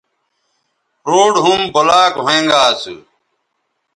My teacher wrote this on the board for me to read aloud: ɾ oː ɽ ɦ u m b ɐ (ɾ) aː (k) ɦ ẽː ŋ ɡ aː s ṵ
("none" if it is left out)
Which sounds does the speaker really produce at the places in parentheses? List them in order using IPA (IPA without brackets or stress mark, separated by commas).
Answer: l, k